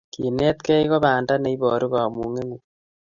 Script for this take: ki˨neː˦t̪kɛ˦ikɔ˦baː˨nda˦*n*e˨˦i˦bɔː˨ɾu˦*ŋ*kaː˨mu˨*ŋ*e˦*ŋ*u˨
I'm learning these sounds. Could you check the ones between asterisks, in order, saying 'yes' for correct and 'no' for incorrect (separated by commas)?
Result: yes, no, yes, yes